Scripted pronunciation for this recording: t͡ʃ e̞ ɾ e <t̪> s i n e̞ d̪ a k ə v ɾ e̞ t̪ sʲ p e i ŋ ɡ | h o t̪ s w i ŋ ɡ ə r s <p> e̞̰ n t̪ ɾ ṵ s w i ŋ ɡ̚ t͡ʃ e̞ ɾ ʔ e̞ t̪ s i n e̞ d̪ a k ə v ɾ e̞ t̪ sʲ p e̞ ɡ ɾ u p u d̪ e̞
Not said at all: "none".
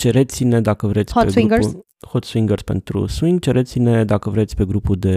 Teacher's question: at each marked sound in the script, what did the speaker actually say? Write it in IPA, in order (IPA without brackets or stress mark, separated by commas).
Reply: t̪, p